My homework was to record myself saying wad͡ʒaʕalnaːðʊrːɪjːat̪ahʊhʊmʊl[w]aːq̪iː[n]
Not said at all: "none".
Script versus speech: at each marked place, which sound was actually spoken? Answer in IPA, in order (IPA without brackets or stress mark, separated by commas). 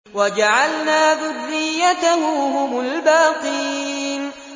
b, n